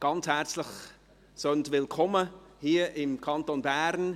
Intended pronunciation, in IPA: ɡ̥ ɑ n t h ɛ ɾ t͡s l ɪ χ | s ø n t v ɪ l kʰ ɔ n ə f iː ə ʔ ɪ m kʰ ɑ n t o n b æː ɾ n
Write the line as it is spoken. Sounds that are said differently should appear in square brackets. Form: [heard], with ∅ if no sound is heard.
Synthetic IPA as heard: ɡ̥ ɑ n [t͡s] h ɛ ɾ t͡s l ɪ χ | s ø n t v ɪ l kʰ ɔ [m] ə [h] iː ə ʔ ɪ m kʰ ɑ n t o n b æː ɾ n